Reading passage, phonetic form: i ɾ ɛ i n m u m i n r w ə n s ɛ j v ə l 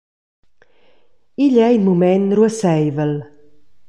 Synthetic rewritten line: i ʎ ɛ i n m u m ɛ n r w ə s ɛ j v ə l

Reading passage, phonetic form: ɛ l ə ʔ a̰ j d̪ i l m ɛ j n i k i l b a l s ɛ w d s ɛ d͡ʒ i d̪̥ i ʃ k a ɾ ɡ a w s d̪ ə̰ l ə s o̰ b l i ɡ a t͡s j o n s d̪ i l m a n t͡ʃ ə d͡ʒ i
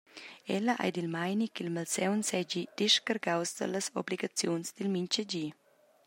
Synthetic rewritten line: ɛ l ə ʔ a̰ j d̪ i l m a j n i k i l m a l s ɛ w n s ɛ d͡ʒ i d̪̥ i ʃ k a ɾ ɡ a w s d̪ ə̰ l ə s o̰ b l i ɡ a t͡s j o n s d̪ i l m i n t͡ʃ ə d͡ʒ i

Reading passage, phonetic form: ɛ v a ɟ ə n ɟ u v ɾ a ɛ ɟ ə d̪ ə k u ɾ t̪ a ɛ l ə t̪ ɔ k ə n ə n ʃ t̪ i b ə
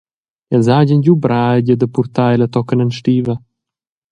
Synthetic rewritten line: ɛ z a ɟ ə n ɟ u b ɾ a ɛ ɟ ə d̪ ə p u ɾ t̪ a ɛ l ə t̪ ɔ k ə n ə n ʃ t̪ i v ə

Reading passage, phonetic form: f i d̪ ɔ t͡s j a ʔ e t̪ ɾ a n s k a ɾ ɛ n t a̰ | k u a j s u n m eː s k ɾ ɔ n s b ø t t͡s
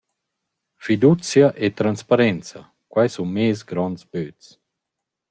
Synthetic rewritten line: f i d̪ u t͡s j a ʔ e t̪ ɾ a n s p a ɾ ɛ n t͡s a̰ | k w a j s u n m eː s ɡ ɾ ɔ n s b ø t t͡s

